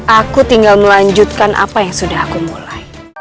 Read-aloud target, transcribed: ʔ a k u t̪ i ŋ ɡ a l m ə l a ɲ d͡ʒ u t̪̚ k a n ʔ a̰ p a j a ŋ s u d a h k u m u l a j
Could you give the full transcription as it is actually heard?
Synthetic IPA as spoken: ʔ a k u t̪ i ŋ ɡ a l m ə l a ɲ d͡ʒ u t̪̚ k a n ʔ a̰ p a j a ŋ s u d a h k u m u l a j